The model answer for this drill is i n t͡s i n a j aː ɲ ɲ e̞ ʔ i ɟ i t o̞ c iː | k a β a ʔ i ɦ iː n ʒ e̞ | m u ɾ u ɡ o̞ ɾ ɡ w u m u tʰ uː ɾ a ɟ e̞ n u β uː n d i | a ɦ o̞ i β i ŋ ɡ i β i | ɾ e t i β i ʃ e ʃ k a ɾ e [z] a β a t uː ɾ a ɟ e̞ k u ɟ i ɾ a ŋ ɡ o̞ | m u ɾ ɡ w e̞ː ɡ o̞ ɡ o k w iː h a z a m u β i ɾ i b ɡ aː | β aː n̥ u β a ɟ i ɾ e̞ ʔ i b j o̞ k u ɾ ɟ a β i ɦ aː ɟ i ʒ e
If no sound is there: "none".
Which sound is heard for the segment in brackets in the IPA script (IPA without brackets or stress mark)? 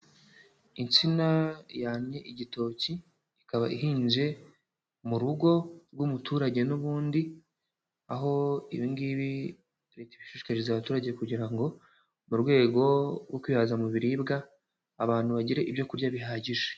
z